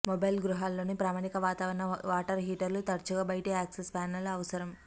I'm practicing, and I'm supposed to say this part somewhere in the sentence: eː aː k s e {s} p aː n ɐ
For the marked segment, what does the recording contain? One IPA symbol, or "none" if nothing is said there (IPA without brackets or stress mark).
s